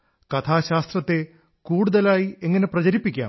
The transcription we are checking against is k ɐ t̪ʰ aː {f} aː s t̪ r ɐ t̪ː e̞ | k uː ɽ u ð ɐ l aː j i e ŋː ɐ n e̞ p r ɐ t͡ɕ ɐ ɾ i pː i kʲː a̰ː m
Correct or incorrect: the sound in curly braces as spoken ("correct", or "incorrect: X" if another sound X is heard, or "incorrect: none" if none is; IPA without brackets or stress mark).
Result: incorrect: ɕ